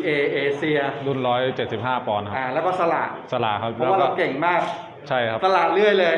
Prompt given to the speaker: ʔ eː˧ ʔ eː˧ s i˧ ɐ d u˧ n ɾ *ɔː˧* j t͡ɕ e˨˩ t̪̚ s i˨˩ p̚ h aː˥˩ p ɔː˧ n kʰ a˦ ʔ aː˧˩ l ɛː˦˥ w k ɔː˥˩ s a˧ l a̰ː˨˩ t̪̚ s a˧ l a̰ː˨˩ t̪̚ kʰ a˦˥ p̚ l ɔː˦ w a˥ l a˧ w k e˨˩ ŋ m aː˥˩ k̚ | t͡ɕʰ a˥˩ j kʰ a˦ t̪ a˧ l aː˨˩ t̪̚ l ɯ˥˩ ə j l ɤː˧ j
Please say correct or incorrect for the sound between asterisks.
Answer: incorrect